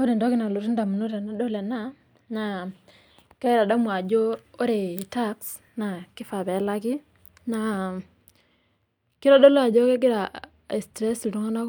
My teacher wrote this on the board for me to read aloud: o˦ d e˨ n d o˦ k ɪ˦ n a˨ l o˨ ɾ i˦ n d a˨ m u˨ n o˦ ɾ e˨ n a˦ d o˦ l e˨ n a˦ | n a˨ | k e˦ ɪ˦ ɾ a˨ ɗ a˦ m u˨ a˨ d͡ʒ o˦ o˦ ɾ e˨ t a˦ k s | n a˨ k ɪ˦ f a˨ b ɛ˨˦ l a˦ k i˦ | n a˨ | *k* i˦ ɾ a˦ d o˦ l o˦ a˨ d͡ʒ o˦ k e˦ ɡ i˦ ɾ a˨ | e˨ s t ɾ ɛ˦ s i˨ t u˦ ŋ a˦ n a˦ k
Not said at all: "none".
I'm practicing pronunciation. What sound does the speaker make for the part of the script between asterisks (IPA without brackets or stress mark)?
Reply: k